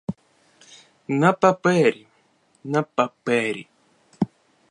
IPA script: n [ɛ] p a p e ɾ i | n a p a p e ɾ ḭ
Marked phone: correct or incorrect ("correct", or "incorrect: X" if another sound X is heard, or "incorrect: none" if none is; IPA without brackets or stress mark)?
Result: incorrect: a